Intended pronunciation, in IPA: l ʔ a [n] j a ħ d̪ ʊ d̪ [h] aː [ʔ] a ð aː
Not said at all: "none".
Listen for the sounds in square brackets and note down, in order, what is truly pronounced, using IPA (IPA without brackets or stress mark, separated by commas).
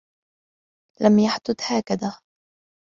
m, h, k